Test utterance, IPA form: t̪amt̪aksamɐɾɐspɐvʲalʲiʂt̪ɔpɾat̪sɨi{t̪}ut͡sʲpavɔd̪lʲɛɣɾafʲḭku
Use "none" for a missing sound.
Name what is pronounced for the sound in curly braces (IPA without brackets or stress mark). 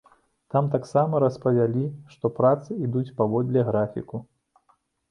d̪